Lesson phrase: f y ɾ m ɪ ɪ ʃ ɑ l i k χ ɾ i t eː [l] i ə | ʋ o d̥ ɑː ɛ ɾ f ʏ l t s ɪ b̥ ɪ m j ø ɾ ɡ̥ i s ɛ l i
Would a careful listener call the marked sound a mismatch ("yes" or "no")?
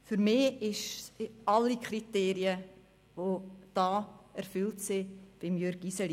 yes